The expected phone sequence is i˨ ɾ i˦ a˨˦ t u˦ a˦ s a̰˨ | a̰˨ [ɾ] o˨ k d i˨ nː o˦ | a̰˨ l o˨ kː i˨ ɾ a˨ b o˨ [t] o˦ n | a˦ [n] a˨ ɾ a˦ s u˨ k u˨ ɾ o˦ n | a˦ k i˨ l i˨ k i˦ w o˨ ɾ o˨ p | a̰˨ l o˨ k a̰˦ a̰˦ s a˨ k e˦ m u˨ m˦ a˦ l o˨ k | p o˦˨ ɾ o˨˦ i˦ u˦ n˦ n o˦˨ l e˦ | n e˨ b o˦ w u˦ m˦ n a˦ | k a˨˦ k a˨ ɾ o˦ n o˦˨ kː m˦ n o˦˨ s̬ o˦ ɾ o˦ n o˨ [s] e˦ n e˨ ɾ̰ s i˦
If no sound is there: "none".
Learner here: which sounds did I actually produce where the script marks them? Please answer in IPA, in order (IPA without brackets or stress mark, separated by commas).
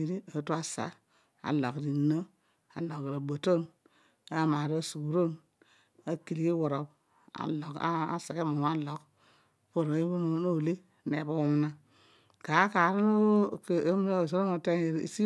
l, t, m, t